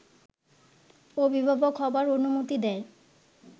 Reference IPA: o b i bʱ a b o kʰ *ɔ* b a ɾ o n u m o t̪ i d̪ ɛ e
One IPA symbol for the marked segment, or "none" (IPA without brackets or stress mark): ɔ